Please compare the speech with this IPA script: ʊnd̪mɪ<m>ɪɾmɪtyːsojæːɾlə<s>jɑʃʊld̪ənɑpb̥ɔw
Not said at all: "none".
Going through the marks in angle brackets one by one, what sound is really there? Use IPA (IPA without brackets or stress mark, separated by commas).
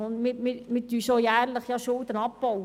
m, χ